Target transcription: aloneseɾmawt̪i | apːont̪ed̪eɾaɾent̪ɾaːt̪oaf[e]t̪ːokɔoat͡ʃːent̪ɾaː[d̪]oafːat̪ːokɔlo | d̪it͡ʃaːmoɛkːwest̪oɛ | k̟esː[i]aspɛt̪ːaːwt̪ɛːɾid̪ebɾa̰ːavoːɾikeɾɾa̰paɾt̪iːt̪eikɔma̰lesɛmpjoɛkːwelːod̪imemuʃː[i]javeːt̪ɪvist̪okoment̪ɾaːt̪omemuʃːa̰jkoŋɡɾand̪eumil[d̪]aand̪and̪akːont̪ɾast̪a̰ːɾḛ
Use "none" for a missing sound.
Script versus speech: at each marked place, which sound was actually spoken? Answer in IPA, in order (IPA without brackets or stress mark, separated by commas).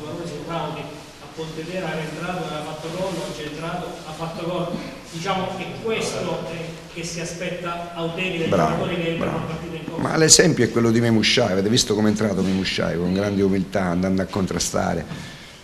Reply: a, t̪, i, a, t̪